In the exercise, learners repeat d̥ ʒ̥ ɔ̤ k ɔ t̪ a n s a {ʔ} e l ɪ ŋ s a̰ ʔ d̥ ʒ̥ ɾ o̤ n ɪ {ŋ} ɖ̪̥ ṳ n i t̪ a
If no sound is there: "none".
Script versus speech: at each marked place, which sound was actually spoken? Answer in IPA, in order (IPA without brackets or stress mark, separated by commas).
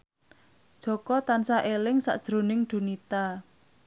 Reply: ʔ, ŋ